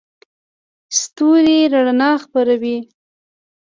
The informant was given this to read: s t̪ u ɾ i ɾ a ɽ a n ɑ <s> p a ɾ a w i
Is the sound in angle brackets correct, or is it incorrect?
incorrect: x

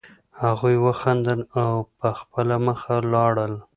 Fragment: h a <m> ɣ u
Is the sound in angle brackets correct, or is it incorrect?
incorrect: none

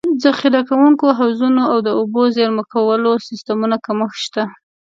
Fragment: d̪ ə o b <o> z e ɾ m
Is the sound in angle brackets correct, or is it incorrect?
correct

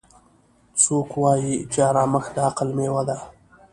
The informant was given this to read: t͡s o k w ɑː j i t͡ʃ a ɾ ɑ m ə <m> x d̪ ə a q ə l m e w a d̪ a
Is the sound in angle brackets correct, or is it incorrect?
incorrect: none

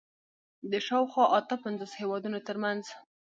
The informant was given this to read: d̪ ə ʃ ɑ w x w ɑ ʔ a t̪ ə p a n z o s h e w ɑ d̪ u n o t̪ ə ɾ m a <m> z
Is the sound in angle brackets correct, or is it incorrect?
incorrect: n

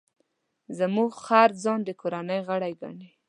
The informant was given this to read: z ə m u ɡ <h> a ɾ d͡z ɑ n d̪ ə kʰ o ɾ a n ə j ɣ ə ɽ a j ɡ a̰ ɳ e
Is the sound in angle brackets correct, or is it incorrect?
incorrect: x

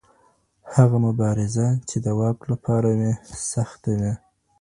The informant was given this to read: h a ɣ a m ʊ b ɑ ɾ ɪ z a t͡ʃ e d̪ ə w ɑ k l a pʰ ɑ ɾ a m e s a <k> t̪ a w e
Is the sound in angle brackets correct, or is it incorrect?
incorrect: x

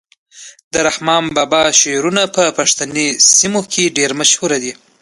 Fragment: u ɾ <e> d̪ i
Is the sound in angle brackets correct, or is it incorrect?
incorrect: a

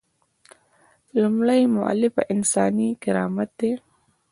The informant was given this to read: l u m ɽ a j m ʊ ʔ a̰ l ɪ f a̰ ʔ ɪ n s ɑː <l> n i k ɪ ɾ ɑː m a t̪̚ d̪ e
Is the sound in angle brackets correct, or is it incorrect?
incorrect: none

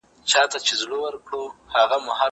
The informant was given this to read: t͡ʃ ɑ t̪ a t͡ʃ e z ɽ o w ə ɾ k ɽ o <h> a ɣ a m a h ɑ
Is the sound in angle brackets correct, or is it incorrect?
correct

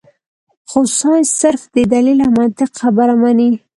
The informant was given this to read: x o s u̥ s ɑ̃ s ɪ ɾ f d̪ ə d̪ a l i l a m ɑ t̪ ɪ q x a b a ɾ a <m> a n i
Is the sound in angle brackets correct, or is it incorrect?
correct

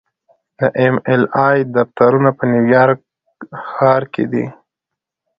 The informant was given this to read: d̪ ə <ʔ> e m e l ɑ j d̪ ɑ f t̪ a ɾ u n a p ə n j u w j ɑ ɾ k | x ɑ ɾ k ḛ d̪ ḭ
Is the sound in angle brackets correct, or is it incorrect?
correct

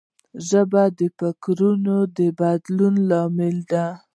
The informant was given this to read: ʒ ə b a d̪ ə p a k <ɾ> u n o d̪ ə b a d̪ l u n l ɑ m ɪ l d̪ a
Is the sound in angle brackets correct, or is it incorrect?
correct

